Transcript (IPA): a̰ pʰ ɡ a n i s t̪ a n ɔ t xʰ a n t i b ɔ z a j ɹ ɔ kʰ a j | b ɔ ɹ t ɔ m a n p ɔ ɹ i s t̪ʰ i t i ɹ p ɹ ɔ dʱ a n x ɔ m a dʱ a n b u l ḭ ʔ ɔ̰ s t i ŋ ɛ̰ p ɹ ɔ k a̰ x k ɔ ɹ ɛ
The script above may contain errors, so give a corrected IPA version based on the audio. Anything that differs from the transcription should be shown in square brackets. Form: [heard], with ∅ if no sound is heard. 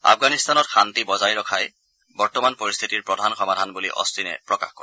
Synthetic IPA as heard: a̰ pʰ ɡ a n i s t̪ a n ɔ t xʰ a n t i b ɔ z a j ɹ ɔ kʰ a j | b ɔ ɹ t ɔ m a n p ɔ ɹ i s t̪ʰ i t i ɹ p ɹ ɔ dʱ a n x ɔ m a dʱ a n b u l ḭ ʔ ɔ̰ s t i [n] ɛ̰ p ɹ ɔ k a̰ x k ɔ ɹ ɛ